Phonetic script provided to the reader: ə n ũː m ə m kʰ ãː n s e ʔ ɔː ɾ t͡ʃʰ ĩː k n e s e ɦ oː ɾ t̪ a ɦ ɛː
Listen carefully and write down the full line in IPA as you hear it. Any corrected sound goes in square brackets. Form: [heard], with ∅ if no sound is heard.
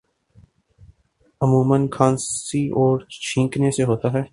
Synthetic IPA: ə [m] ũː m ə [n] kʰ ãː n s [i] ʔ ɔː ɾ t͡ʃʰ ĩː k n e s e ɦ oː [∅] t̪ a ɦ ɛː